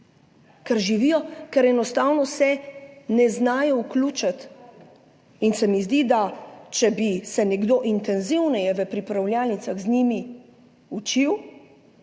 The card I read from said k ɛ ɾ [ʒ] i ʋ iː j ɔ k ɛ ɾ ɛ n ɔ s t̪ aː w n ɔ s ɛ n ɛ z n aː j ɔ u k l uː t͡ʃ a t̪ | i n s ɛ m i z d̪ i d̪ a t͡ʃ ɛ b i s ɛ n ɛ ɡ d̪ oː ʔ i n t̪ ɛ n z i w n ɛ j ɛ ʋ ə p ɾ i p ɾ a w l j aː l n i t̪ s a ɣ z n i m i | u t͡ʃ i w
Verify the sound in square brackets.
correct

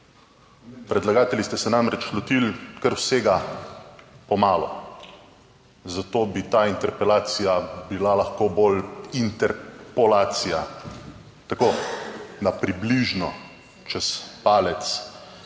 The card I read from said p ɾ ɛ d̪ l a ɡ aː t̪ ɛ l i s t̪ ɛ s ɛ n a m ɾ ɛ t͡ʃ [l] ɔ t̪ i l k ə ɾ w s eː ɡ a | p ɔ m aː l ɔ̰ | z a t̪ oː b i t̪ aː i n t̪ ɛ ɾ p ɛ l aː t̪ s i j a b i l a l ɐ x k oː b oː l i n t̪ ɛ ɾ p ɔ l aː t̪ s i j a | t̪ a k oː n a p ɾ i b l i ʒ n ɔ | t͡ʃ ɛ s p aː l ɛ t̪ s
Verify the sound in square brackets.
correct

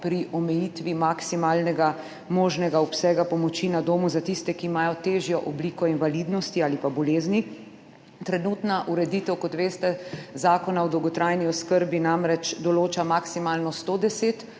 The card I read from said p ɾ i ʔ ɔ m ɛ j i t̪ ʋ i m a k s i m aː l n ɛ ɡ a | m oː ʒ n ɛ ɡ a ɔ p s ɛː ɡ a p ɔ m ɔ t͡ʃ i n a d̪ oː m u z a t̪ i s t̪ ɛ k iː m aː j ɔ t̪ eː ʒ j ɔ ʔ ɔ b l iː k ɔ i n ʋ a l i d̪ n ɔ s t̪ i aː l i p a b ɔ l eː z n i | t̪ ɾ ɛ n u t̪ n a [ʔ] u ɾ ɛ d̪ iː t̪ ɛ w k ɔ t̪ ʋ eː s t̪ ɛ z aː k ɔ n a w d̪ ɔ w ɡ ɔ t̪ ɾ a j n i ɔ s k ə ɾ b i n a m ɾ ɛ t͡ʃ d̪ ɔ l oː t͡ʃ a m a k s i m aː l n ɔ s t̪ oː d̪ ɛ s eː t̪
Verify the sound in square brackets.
correct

